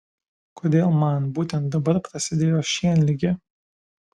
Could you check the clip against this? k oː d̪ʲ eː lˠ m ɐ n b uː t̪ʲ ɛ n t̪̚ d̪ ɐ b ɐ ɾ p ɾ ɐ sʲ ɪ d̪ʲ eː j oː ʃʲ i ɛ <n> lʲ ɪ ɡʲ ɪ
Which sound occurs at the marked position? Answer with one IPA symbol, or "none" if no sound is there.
n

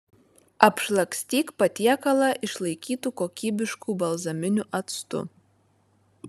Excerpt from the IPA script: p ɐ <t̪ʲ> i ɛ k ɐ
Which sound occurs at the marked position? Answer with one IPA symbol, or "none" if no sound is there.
t̪ʲ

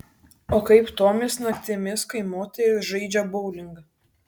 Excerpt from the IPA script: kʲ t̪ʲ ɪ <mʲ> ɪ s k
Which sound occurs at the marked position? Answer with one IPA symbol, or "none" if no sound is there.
mʲ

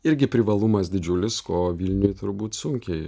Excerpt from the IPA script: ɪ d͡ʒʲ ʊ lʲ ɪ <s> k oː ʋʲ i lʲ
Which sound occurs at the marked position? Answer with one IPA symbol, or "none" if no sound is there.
s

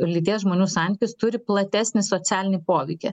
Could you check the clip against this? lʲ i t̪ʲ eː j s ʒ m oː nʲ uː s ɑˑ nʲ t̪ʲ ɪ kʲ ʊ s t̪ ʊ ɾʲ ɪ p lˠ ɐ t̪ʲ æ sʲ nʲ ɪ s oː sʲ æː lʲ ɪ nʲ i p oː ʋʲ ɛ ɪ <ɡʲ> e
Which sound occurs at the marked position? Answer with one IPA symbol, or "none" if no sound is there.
kʲ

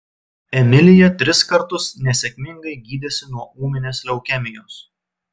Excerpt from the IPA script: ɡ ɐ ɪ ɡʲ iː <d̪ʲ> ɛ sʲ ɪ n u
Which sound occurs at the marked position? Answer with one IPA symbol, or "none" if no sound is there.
d̪ʲ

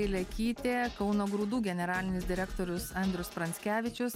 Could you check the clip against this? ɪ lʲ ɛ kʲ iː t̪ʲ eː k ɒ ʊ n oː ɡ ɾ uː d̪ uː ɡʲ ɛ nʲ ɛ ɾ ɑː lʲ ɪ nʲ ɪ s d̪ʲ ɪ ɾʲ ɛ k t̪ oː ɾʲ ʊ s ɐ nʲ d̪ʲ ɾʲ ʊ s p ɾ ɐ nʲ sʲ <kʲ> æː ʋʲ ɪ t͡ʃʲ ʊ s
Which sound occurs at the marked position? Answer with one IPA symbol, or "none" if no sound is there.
kʲ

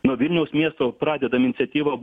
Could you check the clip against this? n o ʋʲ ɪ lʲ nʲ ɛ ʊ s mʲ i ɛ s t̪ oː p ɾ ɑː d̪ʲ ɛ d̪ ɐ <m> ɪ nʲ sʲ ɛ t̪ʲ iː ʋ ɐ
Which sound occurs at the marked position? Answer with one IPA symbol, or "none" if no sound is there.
m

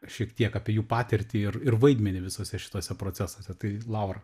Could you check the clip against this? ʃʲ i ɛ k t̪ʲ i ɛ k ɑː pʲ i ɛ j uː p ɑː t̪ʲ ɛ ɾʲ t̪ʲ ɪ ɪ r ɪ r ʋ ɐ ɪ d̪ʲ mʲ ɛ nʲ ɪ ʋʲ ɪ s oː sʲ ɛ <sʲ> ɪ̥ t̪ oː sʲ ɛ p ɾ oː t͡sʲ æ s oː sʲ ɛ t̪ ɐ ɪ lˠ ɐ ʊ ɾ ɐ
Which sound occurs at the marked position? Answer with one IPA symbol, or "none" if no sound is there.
ʃʲ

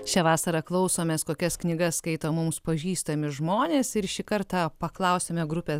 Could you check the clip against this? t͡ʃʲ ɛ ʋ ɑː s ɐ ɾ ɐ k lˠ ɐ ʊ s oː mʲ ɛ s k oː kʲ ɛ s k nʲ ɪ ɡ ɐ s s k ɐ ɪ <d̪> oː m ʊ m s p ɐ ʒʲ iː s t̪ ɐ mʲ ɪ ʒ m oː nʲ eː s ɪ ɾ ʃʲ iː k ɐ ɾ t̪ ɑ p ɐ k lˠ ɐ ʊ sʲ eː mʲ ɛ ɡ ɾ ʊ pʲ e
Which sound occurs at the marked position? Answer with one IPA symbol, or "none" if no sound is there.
t̪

